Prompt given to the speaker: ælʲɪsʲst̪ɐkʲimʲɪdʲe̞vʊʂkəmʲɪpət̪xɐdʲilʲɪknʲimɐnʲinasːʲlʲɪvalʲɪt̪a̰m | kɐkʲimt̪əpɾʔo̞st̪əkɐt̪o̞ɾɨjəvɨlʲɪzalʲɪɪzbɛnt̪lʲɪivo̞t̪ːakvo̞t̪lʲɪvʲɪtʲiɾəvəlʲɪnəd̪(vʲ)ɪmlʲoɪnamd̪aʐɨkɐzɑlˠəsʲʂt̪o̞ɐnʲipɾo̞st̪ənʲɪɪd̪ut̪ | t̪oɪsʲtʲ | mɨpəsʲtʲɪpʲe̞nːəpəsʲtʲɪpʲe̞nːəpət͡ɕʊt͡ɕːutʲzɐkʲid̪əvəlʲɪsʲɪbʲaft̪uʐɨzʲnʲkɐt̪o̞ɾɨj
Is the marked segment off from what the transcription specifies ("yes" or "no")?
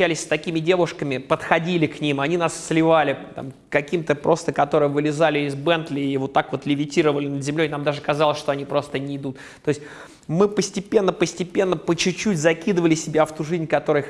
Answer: yes